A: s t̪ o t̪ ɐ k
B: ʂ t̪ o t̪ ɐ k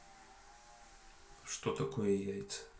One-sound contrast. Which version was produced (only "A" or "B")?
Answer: B